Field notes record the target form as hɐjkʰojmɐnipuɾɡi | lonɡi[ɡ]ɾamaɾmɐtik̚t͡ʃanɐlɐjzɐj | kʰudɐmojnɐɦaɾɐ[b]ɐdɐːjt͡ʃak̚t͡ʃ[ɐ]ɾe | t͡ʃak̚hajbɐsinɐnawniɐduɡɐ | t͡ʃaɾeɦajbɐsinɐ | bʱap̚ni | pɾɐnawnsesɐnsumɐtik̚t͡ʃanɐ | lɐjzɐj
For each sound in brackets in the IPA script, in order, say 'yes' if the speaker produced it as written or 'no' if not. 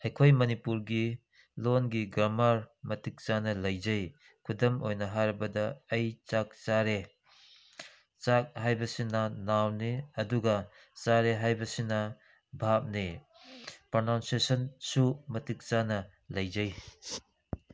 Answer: yes, yes, no

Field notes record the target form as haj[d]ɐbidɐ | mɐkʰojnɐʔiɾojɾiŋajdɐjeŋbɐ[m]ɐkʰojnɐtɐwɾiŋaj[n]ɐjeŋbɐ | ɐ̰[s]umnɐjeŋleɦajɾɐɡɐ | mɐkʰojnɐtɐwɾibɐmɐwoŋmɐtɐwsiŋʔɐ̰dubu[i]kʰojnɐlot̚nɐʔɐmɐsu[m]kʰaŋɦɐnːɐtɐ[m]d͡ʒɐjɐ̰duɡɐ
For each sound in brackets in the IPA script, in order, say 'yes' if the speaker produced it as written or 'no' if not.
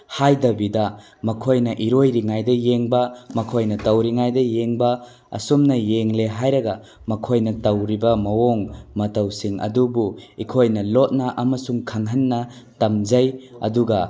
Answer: yes, yes, no, yes, yes, no, yes

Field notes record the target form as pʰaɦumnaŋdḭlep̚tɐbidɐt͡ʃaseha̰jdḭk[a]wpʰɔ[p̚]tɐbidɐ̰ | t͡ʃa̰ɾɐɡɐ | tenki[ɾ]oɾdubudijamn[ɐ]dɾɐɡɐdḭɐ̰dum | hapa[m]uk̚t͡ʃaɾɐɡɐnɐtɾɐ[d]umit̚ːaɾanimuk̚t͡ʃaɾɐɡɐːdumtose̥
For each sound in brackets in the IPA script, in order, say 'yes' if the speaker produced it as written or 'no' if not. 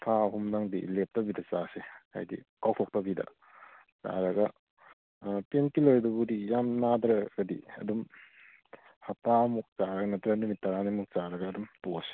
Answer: yes, no, no, no, yes, no

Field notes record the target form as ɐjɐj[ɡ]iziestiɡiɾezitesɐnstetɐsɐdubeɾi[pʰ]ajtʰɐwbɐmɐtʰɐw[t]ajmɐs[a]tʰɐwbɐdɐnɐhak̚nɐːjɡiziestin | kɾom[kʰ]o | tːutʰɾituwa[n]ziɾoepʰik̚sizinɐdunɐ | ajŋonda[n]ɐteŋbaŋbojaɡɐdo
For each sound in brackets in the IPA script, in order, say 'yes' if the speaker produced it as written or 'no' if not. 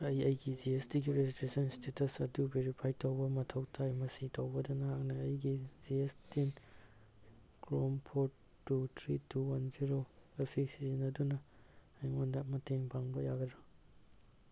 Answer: yes, yes, no, no, no, yes, no

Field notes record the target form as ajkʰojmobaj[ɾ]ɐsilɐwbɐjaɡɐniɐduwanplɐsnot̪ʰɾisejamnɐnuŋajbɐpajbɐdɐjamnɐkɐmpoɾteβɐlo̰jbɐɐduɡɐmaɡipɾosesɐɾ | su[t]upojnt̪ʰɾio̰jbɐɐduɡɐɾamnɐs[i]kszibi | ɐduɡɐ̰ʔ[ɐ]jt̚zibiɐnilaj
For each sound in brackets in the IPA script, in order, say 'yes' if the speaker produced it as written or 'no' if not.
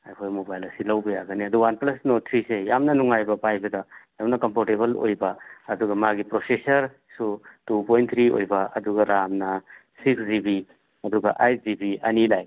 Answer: no, yes, yes, no

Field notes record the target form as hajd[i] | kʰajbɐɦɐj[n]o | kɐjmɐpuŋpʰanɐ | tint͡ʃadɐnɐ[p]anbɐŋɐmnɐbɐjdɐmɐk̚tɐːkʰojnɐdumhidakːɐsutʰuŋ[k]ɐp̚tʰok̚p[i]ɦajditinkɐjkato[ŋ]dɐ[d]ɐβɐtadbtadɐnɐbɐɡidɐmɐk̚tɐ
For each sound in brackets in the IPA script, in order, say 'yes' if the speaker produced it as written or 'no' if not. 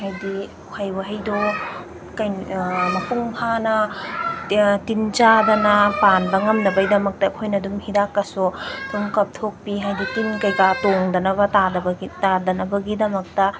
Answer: yes, no, yes, yes, yes, yes, no

